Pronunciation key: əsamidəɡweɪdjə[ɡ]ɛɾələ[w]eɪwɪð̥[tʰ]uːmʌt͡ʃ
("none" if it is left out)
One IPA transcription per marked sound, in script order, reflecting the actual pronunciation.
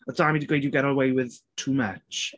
ɡ, w, tʰ

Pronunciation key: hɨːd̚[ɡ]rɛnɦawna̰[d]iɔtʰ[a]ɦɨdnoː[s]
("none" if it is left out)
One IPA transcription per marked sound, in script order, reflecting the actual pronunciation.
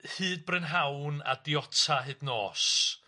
b, d, a, s

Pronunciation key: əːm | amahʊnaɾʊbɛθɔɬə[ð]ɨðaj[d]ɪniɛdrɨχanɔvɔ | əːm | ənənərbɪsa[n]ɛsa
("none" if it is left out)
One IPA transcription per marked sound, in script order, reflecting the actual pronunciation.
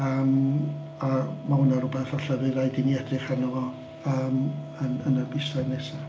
v, d, n

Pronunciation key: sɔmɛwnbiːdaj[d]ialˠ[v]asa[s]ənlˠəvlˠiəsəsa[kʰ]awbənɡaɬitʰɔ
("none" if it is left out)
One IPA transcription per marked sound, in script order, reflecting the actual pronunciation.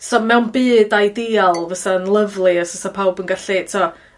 d, v, none, pʰ

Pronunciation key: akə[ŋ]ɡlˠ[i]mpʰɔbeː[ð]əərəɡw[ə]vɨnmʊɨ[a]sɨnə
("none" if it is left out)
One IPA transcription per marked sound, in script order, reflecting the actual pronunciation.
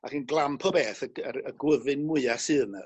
n, a, θ, ə, a

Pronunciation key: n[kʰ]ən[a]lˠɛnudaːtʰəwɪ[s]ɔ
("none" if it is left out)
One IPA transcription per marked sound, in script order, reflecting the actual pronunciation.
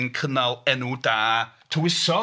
kʰ, a, s

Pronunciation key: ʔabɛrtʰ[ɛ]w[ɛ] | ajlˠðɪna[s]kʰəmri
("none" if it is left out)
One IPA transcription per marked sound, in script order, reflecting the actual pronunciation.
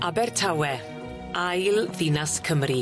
a, ɛ, s

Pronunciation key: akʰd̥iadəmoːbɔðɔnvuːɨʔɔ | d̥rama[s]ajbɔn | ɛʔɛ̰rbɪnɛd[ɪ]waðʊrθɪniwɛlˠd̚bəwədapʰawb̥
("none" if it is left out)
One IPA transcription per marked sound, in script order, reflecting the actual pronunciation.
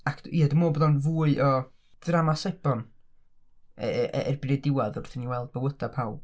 s, ɪ

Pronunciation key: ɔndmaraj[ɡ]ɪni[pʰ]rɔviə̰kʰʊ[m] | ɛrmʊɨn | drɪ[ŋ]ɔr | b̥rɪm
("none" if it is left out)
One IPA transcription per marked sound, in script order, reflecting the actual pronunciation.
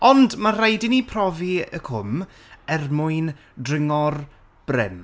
d, pʰ, m, ŋ

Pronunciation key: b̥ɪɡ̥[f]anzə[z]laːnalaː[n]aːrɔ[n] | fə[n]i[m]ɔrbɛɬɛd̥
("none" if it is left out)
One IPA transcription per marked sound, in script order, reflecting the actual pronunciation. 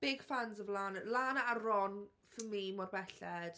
f, v, n, n, m, m

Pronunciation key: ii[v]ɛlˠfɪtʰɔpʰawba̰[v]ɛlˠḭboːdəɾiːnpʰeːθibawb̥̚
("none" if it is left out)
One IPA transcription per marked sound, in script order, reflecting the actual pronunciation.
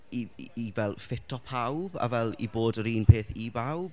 v, v

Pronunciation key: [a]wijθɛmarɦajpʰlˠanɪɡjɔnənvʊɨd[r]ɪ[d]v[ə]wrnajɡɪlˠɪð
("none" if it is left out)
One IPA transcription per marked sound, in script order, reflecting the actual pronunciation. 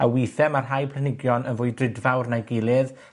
a, r, d, a

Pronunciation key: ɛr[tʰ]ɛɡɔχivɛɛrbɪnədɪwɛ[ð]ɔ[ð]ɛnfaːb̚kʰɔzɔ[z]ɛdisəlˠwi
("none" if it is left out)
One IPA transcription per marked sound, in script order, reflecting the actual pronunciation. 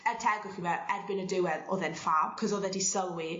tʰ, ð, ð, ð

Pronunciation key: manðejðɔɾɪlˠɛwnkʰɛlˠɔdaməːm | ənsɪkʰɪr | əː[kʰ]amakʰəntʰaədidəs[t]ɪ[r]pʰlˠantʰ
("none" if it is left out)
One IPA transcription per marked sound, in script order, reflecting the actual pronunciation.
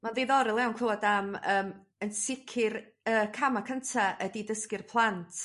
kʰ, k, r

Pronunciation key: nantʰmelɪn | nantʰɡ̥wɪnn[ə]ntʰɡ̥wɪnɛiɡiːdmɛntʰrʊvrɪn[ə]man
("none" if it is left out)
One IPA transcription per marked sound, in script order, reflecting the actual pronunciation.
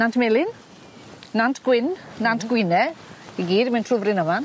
a, ə

